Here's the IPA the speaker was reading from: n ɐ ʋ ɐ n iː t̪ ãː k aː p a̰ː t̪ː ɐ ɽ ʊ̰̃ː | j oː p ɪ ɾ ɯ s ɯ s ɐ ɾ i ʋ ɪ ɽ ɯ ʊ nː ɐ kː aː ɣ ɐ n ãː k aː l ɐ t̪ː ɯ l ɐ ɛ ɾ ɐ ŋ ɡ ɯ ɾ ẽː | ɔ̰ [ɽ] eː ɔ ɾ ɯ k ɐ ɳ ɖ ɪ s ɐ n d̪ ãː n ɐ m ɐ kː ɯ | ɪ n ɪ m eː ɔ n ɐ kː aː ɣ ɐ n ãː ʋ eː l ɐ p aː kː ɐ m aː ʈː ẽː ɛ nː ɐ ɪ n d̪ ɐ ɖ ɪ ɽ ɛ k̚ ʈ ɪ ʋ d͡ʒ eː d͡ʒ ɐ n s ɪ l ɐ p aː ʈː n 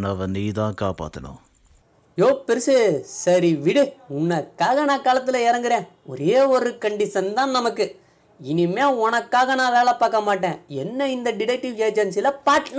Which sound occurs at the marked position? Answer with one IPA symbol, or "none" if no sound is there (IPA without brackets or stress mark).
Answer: ɾ